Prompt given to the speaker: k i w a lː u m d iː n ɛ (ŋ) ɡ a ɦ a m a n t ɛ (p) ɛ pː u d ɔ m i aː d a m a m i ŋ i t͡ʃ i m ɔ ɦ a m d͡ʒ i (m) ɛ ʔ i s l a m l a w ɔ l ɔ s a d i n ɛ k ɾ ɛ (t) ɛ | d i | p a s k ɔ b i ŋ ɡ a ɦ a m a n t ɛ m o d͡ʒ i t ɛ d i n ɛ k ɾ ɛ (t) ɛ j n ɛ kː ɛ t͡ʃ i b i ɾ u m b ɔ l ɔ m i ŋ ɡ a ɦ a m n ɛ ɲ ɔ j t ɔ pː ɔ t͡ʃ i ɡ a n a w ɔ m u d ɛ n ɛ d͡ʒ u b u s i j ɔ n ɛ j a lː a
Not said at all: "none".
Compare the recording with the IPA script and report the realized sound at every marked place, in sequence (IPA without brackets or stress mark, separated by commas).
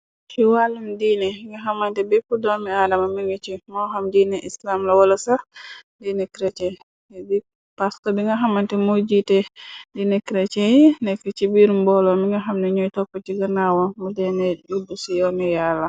ŋ, b, n, t͡ʃ, t͡ʃ